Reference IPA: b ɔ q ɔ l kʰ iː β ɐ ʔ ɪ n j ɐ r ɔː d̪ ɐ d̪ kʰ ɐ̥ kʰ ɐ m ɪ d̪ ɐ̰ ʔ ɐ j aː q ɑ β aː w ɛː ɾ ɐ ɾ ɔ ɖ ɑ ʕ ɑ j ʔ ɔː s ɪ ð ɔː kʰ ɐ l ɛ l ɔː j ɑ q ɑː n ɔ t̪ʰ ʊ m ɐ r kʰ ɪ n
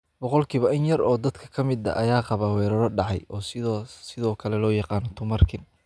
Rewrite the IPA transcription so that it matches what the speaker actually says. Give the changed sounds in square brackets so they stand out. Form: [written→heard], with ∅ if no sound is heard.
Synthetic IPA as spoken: b ɔ q ɔ l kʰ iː β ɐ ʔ ɪ n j ɐ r ɔː d̪ ɐ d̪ kʰ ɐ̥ kʰ ɐ m ɪ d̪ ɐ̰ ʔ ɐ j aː q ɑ β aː w ɛː ɾ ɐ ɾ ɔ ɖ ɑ ʕ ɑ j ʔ ɔː s ɪ ð ɔː kʰ ɐ l ɛ l ɔː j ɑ q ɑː n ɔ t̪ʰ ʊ m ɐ r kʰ ɪ n